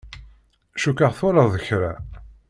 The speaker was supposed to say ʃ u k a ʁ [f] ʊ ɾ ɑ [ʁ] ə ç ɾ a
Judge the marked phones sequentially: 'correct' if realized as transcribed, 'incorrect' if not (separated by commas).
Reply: incorrect, incorrect